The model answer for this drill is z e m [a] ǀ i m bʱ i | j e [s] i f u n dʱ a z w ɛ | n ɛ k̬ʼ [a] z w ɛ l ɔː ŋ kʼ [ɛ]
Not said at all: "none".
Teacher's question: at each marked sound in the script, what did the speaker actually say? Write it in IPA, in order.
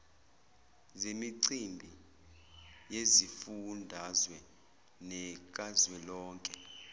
i, z, a, ɛ

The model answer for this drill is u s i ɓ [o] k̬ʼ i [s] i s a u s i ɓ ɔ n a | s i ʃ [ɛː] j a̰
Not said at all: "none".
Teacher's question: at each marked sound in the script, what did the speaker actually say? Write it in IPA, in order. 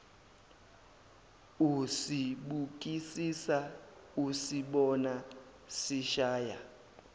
u, s, aː

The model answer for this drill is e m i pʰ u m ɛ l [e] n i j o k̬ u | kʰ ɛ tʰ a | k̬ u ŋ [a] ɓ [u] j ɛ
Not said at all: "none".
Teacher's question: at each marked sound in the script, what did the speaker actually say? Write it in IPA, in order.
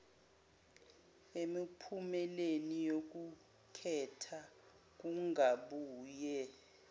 e, a, uː

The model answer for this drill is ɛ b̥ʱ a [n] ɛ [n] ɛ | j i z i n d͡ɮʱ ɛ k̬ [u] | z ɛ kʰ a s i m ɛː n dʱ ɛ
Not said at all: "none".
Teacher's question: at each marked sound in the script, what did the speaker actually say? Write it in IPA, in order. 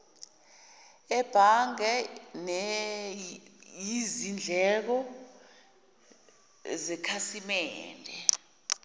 ŋ, n, ɔ

